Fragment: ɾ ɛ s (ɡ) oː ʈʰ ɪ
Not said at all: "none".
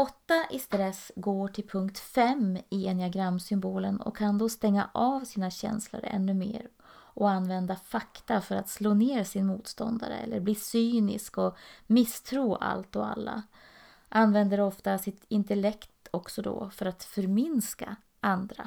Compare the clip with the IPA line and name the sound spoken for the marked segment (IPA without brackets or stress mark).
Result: ɡ